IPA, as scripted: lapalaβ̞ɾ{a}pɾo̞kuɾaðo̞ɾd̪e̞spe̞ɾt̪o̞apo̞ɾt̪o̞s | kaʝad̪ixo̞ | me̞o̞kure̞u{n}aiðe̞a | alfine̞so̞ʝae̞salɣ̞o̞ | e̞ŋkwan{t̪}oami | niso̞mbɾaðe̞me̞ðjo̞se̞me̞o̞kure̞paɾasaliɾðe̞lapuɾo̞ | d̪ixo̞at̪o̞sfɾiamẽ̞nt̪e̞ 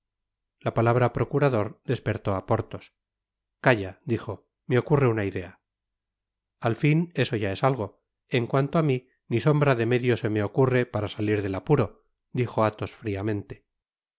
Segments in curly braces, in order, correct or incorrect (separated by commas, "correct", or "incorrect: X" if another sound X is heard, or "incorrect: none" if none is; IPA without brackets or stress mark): correct, correct, correct